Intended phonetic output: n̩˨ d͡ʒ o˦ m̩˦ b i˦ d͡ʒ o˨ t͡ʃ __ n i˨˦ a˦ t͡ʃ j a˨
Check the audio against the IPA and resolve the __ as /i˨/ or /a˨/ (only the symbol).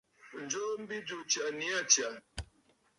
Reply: a˨